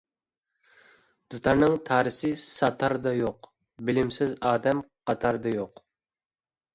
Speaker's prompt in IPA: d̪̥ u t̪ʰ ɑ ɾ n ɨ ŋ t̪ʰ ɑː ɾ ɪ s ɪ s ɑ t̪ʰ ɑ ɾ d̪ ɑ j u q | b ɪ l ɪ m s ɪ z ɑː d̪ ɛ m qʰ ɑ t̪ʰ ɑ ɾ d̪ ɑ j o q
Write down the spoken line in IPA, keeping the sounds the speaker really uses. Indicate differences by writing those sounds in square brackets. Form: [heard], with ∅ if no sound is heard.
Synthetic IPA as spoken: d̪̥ u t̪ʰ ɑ ɾ n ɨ ŋ t̪ʰ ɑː ɾ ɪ s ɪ s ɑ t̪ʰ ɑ ɾ d̪ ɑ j [o] q | b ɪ l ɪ m s ɪ z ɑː d̪ ɛ m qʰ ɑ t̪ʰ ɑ ɾ d̪ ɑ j o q